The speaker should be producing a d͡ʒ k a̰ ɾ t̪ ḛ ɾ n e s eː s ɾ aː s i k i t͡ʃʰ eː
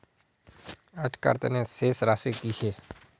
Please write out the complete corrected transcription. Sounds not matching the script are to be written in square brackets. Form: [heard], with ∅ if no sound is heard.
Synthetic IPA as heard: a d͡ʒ k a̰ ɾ t̪ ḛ [∅] n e s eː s ɾ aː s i k i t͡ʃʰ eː